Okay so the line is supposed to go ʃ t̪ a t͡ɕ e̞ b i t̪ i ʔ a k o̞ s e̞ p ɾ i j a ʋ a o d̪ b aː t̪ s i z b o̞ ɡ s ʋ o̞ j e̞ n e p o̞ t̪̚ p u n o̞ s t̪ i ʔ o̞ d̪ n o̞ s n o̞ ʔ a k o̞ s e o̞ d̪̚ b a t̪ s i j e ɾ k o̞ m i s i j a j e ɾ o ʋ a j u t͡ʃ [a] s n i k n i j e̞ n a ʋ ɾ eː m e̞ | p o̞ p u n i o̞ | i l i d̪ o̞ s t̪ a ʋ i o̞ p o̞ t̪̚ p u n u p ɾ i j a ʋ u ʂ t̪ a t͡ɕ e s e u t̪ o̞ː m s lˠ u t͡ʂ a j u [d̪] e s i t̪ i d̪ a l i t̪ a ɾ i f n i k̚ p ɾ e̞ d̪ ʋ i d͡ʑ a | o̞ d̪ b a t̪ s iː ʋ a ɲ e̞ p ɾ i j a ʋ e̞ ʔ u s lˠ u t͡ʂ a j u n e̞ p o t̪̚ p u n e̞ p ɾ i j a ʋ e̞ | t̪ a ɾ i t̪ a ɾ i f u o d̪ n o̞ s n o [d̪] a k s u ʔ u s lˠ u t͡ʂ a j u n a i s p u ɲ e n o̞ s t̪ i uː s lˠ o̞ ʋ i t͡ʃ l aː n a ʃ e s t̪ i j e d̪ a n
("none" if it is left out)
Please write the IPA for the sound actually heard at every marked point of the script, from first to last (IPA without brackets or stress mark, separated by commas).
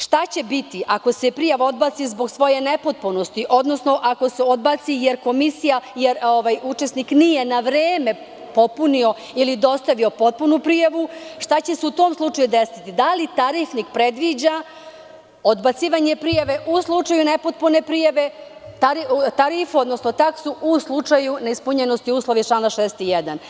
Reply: e, d̪, t̪